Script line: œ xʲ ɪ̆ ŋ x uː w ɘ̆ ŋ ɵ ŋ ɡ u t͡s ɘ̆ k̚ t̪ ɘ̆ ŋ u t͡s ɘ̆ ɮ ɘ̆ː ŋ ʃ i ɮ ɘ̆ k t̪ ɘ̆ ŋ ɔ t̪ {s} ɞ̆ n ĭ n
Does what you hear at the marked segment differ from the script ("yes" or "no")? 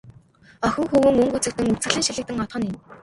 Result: yes